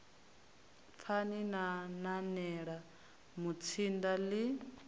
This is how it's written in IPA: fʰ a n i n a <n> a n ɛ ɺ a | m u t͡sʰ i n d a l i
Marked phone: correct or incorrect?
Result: correct